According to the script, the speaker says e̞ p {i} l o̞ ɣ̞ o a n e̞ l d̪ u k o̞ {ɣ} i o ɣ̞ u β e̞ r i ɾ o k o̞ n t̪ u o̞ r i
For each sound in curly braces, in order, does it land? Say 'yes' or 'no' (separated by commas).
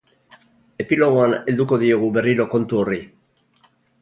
yes, no